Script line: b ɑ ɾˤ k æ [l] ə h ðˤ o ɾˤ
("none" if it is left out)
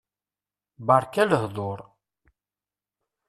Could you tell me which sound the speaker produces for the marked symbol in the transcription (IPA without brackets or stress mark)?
l